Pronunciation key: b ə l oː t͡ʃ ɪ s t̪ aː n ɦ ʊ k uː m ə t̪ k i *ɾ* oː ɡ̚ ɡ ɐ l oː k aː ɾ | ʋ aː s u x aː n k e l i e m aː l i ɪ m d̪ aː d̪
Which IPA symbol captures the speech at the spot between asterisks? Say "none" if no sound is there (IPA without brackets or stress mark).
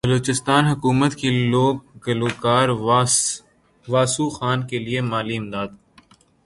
l